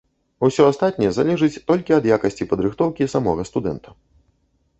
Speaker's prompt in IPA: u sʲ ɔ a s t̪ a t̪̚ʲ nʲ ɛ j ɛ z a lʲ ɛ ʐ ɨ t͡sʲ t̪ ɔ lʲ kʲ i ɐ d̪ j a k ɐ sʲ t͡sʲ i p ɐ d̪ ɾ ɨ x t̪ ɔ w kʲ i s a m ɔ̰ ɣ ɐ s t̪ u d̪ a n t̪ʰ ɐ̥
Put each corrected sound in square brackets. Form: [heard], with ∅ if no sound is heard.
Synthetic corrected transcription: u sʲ ɔ a s t̪ a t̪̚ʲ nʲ ɛ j ɛ z a lʲ ɛ ʐ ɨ t͡sʲ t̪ ɔ lʲ kʲ i ɐ d̪ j a k ɐ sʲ t͡sʲ i p ɐ d̪ ɾ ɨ x t̪ ɔ w kʲ i s a m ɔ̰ ɣ ɐ s t̪ u d̪ [ɛ] n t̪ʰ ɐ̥